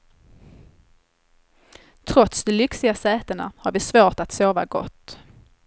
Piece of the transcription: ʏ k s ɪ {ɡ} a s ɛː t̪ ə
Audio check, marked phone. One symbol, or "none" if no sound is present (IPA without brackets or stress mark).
ɡ